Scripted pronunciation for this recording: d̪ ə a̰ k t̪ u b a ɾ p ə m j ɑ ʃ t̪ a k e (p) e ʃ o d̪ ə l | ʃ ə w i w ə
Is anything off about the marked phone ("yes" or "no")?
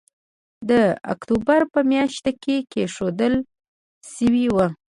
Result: yes